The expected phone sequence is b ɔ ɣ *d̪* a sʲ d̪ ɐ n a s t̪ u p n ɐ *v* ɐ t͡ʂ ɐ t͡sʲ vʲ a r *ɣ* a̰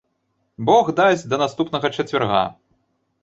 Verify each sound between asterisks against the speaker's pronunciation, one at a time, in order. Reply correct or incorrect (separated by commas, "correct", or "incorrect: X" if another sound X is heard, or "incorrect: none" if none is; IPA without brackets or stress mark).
correct, incorrect: ɣ, correct